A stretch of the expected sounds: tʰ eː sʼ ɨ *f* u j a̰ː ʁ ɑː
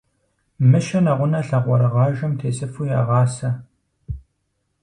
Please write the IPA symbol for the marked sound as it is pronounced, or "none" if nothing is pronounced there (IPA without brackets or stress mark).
f